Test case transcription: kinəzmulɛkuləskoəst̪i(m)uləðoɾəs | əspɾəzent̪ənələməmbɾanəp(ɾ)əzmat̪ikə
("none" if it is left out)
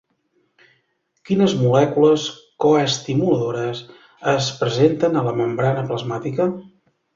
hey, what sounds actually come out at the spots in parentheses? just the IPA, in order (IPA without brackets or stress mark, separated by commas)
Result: m, l